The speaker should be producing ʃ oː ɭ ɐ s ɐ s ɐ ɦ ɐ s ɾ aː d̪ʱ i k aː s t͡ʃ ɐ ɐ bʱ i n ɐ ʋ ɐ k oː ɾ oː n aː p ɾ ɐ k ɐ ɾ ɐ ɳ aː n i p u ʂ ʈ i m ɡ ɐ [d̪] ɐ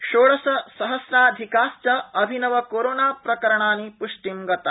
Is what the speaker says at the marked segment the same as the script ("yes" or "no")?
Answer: no